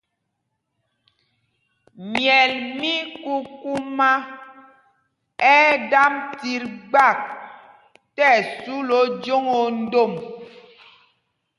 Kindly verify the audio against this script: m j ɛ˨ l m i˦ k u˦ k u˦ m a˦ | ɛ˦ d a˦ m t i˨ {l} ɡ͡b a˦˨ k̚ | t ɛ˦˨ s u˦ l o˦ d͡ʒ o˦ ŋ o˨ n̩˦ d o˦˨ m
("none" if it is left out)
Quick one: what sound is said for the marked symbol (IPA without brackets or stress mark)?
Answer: ɾ